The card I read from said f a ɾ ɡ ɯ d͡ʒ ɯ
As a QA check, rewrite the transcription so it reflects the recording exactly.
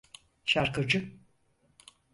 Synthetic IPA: ʃ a ɾ k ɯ d͡ʒ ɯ